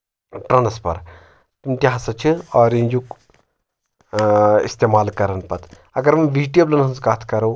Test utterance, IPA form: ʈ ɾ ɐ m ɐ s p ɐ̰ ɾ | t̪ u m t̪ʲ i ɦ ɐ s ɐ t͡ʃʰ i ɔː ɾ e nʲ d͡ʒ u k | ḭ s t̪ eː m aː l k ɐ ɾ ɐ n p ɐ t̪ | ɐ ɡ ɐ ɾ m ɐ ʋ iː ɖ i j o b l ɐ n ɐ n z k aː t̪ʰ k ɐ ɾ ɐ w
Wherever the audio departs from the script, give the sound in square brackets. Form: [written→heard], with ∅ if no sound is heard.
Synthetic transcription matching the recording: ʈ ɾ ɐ [m→n] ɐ s p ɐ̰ ɾ | t̪ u m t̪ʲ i ɦ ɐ s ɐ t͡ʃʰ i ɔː ɾ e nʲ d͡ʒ u k | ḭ s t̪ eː m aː l k ɐ ɾ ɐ n p ɐ t̪ | ɐ ɡ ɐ ɾ m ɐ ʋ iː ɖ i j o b l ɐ n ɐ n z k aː t̪ʰ k ɐ ɾ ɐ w